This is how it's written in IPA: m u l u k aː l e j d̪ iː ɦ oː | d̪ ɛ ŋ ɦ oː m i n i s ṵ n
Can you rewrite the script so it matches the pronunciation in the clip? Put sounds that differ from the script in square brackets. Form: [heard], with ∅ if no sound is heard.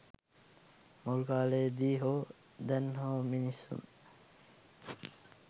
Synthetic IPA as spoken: m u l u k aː l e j d̪ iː ɦ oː | d̪ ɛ [n] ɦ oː m i n i s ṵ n